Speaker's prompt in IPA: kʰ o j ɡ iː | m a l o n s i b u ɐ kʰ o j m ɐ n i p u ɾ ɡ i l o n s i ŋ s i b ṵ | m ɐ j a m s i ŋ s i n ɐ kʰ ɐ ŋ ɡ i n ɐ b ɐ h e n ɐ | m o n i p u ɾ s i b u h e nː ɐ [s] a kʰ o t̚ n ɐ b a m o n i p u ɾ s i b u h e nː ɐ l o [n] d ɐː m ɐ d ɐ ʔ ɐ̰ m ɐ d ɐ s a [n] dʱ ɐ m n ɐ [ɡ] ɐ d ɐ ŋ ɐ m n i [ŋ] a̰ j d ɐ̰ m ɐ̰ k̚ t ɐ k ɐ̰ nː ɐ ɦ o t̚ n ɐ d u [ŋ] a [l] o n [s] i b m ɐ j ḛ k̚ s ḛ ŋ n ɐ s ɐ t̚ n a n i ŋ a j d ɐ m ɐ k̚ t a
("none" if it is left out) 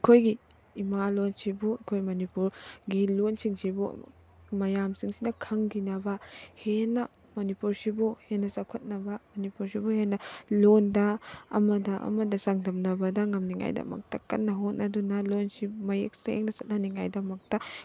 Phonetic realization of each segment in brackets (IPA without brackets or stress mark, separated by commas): s, n, ŋ, b, ŋ, n, l, s